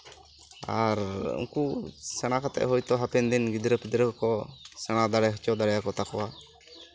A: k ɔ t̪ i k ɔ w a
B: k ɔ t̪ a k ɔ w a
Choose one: B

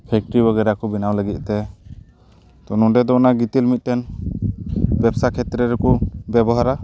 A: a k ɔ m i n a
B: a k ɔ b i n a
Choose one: B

